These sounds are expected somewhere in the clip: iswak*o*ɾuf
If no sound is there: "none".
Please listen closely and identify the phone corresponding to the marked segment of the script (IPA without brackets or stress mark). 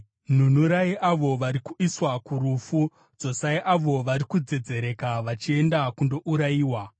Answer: u